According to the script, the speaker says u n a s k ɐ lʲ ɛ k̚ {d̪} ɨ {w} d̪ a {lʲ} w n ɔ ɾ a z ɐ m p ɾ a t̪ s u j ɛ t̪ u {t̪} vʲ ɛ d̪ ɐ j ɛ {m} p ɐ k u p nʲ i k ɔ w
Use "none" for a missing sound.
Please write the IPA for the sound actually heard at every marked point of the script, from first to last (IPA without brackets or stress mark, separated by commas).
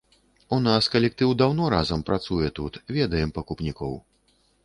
t̪, w, none, t̪, m